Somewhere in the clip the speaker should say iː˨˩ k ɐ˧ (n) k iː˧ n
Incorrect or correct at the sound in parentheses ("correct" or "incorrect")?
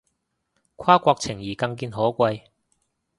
incorrect